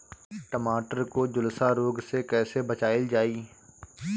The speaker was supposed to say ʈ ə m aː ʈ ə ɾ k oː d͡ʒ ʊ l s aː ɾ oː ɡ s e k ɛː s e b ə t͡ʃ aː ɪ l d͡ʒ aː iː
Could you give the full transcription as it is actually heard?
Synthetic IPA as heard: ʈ ə m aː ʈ ə ɾ k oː d͡ʒ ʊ l s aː ɾ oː ɡ s e k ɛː s e b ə t͡ʃ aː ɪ l d͡ʒ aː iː